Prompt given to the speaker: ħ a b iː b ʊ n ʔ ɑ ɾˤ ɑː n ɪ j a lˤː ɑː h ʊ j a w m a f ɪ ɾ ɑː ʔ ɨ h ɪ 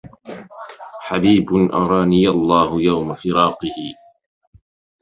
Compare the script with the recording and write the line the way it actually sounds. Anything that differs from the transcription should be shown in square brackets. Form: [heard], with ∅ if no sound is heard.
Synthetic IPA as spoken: ħ a b iː b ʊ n ʔ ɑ ɾˤ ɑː n ɪ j a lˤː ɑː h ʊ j a w m a f ɪ ɾ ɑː [q] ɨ h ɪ

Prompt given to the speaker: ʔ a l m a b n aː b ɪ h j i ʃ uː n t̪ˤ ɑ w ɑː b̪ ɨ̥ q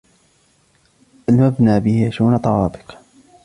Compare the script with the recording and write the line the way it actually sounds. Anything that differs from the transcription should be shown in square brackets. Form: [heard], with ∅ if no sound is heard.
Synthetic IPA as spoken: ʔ a l m a b n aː b ɪ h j [a] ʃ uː n t̪ˤ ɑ w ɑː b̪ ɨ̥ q

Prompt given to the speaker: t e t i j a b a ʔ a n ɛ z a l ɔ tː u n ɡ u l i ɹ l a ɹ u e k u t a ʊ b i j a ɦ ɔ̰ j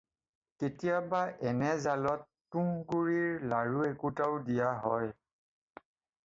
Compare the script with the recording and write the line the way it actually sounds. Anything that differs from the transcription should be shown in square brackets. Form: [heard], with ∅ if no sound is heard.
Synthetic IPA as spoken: [k] e t i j a b a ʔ [ɛ] n ɛ z a l ɔ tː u [ŋ] ɡ u [ɹ] i ɹ l a ɹ u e k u t a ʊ [d] i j a ɦ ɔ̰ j

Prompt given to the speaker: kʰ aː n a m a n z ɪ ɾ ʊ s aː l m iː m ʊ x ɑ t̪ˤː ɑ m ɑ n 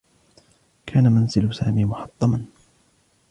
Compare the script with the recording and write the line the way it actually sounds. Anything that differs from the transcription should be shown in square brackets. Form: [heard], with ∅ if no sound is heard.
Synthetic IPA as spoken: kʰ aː n a m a n z ɪ [l] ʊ s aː [∅] m iː m ʊ [ħ] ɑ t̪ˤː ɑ m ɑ n

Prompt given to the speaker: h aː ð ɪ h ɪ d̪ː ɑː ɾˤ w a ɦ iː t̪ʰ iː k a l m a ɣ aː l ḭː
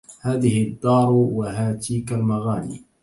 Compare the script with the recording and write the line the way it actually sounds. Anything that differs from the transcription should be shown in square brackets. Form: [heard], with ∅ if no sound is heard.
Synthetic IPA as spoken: h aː ð ɪ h ɪ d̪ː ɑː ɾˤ w a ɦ [aː] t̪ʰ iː k a l m a ɣ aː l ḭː

